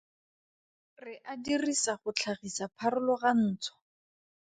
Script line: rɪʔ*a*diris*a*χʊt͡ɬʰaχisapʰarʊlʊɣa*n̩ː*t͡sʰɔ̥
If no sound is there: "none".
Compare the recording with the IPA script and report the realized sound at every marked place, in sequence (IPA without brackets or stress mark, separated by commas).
a, a, n̩ː